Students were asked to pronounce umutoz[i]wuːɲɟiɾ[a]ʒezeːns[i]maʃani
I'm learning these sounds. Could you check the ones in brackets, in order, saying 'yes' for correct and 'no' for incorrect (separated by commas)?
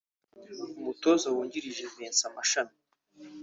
no, no, no